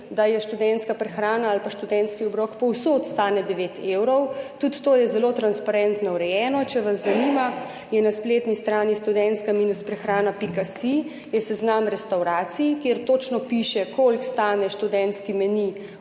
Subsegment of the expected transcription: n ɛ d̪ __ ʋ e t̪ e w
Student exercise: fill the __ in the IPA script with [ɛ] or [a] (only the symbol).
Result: ɛ